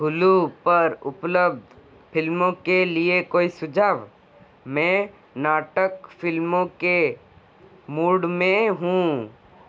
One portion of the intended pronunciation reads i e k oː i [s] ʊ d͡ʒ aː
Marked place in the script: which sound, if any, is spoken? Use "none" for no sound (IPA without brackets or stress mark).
s